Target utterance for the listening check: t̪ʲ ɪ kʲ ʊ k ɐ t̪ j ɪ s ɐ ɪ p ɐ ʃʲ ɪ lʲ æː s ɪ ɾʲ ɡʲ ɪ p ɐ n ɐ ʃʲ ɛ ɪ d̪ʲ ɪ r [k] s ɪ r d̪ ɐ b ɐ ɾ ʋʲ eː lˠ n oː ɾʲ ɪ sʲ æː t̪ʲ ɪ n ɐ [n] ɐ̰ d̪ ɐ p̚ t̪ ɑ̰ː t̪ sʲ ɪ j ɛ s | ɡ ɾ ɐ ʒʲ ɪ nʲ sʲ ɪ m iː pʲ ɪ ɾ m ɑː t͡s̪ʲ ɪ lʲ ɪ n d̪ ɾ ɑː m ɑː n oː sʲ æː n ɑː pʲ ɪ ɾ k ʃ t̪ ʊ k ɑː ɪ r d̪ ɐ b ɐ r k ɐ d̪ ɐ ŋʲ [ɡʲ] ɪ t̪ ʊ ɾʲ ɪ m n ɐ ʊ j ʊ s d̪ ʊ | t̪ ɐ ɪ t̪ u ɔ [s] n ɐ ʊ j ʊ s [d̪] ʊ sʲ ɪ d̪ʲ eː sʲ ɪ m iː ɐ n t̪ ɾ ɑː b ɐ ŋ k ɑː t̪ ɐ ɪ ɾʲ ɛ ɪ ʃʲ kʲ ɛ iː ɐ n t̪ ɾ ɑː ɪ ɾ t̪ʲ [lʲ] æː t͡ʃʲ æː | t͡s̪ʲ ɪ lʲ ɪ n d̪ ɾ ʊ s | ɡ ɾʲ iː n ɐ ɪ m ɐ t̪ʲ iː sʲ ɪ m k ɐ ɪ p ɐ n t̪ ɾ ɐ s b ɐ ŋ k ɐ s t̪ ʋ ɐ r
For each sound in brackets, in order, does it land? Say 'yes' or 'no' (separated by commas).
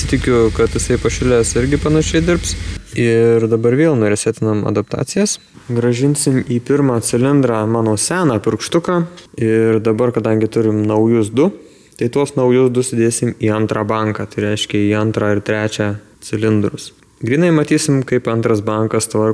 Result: no, no, yes, yes, yes, no